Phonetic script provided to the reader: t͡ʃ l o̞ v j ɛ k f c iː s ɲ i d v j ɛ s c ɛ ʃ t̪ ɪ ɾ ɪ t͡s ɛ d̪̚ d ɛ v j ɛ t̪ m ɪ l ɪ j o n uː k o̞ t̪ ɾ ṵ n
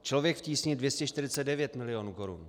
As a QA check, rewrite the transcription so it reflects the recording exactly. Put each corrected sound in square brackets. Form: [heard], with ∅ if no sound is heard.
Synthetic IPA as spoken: t͡ʃ l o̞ v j ɛ k f c iː s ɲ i d v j ɛ s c ɛ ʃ t̪ ɪ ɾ ɪ t͡s ɛ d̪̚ d ɛ v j ɛ t̪ m ɪ l ɪ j o n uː k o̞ [∅] ɾ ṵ n